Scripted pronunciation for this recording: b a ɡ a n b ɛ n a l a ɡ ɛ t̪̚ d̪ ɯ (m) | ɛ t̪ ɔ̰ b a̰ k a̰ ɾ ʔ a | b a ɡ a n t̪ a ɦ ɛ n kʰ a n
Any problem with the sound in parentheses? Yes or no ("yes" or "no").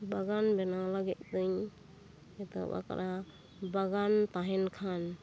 yes